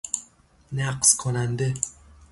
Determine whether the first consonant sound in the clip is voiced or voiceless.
voiced